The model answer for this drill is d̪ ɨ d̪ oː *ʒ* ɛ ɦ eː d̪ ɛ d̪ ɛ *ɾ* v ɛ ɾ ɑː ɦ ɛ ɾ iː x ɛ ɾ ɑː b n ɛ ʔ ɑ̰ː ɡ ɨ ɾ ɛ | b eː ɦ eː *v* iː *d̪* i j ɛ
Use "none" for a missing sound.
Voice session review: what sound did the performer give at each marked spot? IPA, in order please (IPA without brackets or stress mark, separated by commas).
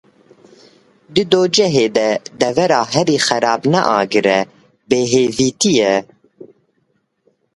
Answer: d͡ʒ, none, v, t̪